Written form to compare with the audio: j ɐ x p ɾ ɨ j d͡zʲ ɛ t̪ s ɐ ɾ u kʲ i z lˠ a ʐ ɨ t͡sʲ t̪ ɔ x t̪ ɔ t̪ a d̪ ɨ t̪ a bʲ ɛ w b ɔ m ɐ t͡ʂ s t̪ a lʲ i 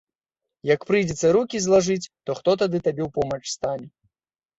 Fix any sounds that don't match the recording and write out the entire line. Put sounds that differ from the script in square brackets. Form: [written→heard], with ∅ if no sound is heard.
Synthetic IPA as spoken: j ɐ [x→k] p ɾ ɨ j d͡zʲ ɛ t̪ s ɐ ɾ u kʲ i z lˠ a ʐ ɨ t͡sʲ t̪ ɔ x t̪ ɔ t̪ a d̪ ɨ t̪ a bʲ ɛ w [b→p] ɔ m ɐ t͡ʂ s t̪ a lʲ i